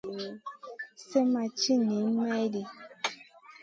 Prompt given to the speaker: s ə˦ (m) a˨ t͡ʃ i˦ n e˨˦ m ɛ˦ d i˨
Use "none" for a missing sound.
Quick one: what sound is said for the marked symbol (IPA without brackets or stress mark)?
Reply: m